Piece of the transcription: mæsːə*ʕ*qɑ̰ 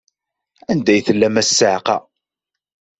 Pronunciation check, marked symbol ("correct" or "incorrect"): correct